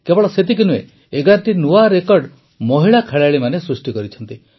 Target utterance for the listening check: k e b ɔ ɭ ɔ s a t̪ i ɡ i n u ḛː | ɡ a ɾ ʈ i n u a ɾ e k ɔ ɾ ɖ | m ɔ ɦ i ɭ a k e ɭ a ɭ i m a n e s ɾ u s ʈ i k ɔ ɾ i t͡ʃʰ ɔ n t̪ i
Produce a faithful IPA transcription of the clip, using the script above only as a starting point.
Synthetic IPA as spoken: k e b ɔ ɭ ɔ s e t̪ i k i n u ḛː | ɡ a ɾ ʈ i n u a ɾ e k ɔ ɾ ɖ | m ɔ ɦ i ɭ a kʰ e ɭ a ɭ i m a n e s ɾ u s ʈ i k ɔ ɾ i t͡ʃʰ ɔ n t̪ i